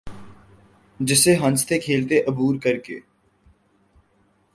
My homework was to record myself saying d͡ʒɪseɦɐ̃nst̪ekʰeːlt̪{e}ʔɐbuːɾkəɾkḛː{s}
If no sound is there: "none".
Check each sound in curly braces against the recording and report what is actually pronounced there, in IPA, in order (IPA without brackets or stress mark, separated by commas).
e, none